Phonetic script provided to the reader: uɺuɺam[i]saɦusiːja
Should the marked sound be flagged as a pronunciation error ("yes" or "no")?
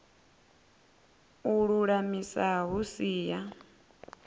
no